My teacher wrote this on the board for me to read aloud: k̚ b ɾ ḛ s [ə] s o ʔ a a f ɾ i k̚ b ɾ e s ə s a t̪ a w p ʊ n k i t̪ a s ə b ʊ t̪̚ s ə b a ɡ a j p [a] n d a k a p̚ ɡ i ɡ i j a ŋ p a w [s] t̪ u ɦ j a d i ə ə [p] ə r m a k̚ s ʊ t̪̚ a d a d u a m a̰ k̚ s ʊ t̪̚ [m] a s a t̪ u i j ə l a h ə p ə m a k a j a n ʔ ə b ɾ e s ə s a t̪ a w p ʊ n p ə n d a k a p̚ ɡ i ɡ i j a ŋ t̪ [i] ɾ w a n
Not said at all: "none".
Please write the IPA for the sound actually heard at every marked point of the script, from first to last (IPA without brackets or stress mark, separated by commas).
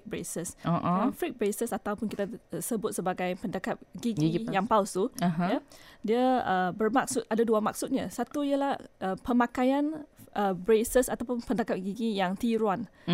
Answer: ə, ə, s, b, ɲ, i